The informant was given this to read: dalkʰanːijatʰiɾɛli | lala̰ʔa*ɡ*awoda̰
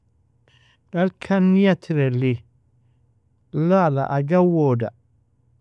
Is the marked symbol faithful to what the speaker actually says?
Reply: yes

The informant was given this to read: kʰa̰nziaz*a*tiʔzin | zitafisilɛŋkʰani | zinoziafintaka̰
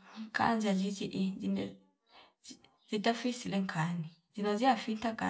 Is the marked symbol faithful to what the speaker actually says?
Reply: no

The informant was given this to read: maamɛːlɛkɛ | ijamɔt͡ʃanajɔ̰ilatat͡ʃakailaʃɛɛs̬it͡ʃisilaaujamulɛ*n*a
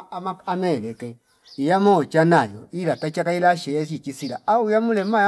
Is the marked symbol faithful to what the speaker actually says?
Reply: no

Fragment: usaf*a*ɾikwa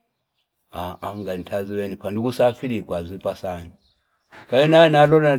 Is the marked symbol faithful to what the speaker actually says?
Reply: no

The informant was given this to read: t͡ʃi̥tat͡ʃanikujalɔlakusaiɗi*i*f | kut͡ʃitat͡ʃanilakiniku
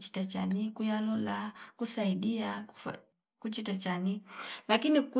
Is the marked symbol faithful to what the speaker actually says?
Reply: no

